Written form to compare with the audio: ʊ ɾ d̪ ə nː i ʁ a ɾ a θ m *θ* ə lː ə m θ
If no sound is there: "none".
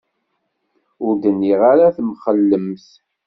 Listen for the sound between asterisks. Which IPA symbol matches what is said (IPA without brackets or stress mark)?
χ